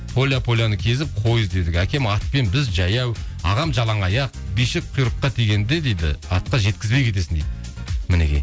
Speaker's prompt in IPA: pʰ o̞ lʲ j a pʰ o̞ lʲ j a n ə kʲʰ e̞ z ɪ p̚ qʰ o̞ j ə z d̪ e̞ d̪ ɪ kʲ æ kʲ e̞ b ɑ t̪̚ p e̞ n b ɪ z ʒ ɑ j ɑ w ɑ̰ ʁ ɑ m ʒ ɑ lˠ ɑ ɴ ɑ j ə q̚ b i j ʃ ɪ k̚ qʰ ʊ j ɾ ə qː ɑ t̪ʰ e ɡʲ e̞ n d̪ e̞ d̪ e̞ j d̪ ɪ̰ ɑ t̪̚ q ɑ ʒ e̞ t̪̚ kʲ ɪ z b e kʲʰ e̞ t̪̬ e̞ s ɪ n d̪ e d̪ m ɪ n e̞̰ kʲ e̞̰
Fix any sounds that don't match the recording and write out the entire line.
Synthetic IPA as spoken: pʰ o̞ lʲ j a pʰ o̞ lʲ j a n ə kʲʰ e̞ z ɪ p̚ qʰ o̞ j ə z d̪ e̞ d̪ ɪ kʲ æ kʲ e̞ m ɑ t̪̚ p e̞ n b ɪ z ʒ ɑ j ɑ w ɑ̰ ʁ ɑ m ʒ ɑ lˠ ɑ ɴ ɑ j ɑ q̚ b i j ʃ ɪ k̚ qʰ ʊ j ɾ ə qː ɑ t̪ʰ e ɡʲ e̞ n d̪ e̞ d̪ e̞ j d̪ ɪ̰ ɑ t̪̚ q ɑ ʒ e̞ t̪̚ kʲ ɪ z b e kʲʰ e̞ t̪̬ e̞ s ɪ n d̪ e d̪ m ɪ n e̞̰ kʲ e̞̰